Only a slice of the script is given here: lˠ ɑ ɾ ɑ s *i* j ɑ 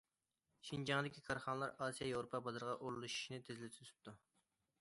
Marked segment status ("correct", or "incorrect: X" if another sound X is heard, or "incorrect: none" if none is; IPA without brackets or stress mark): correct